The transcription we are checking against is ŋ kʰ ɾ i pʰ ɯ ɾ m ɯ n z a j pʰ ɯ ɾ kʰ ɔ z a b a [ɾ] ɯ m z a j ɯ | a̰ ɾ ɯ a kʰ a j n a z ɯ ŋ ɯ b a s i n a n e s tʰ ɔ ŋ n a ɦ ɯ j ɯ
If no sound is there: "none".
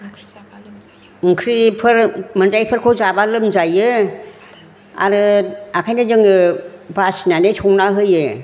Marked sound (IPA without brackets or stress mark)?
l